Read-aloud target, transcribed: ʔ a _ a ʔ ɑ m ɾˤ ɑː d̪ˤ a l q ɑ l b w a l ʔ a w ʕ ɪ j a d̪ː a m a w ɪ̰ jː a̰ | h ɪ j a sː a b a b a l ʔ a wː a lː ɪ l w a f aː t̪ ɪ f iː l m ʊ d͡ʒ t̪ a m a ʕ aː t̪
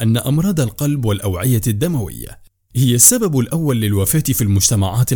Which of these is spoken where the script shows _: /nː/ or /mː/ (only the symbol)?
nː